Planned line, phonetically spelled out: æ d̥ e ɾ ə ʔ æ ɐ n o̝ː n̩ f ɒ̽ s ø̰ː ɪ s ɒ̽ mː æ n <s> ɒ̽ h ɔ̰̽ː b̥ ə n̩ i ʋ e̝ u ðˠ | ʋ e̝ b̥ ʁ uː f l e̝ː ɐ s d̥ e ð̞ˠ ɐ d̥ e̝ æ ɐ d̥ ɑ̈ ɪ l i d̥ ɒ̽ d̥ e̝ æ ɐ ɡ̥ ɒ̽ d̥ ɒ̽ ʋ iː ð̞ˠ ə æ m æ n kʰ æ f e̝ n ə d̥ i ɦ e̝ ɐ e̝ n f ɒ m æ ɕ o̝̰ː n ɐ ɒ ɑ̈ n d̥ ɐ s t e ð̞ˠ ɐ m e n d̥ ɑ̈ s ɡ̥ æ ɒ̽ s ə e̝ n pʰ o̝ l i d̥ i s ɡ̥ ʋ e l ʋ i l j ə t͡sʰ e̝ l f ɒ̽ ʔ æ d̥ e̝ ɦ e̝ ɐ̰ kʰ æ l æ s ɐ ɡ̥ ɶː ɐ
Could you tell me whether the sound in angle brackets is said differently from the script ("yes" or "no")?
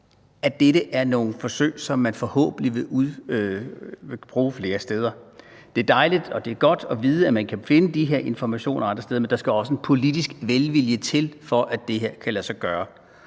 yes